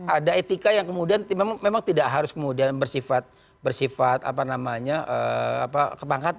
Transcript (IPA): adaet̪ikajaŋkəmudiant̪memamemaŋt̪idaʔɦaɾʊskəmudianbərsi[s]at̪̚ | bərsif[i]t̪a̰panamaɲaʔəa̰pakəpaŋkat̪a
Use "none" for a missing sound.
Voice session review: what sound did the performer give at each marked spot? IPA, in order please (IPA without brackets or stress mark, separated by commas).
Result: f, a